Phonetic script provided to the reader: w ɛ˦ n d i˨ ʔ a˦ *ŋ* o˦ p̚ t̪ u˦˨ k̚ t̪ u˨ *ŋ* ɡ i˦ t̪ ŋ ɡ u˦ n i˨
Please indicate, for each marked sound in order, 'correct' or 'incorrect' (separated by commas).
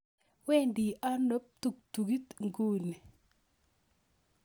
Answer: incorrect, incorrect